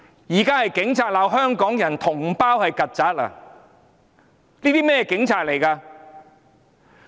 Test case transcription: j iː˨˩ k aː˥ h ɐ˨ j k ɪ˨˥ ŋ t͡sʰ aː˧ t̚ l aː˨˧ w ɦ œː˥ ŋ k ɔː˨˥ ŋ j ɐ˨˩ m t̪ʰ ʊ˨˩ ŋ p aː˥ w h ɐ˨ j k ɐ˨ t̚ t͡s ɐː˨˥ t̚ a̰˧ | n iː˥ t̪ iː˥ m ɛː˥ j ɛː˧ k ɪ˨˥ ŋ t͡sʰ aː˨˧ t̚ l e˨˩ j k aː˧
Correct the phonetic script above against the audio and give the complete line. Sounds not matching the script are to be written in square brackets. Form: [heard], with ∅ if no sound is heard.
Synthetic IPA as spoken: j iː˨˩ k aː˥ h ɐ˨ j k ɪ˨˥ ŋ t͡sʰ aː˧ t̚ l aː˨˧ w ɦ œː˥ ŋ k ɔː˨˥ ŋ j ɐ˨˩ [n] t̪ʰ ʊ˨˩ ŋ p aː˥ w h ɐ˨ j k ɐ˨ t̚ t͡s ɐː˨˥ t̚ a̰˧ | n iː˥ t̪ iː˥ m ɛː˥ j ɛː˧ k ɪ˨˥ ŋ t͡sʰ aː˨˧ t̚ l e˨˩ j k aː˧